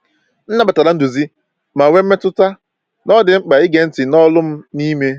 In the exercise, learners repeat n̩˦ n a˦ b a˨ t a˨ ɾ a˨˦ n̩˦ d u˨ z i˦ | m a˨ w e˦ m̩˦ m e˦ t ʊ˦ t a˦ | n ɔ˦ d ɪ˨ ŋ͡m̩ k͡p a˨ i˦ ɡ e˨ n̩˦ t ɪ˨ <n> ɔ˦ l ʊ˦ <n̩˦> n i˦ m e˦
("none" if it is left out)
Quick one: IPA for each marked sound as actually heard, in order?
n, m̩˦

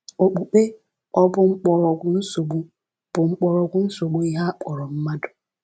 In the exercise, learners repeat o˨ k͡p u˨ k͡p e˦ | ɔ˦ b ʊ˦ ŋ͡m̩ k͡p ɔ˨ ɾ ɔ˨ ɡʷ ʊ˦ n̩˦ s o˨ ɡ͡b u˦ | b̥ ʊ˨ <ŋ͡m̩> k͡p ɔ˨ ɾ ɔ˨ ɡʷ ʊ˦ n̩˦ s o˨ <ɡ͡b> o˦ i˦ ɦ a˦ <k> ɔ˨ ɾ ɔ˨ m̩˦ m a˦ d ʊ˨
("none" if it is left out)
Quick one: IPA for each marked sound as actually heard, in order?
ŋ͡m̩, ɡ͡b, k͡p

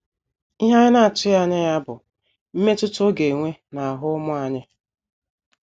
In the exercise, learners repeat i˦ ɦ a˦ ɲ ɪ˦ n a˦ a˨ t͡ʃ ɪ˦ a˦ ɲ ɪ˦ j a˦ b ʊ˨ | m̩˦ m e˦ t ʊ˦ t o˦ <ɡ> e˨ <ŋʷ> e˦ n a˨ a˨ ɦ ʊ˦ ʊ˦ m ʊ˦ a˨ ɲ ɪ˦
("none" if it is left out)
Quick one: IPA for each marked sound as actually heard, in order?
ɡ, ŋʷ

